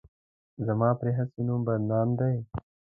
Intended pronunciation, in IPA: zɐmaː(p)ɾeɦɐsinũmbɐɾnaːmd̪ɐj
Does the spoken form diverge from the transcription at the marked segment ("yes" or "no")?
no